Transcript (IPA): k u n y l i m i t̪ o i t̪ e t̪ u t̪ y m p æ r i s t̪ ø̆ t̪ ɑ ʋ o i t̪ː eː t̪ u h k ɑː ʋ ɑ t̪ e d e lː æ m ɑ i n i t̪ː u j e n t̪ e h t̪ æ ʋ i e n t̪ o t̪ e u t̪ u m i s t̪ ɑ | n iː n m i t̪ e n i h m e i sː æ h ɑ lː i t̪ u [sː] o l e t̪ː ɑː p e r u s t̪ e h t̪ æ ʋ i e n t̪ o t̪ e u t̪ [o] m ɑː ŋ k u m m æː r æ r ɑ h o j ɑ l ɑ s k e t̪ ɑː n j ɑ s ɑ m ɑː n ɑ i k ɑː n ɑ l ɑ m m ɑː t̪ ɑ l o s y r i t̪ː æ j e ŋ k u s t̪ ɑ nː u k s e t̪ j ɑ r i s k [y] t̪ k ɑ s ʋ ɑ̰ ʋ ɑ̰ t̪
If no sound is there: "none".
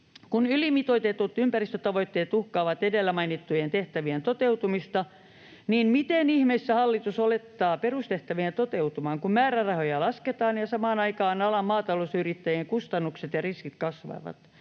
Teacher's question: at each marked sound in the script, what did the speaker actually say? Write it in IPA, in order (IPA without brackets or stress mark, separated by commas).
s, u, i